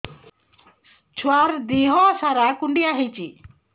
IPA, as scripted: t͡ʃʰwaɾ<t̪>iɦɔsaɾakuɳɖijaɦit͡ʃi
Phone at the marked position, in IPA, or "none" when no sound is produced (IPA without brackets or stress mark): d̪